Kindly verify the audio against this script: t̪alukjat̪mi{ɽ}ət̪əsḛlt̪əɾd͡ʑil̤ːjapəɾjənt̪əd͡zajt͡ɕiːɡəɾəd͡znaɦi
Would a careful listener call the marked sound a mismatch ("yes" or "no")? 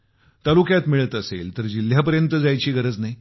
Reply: yes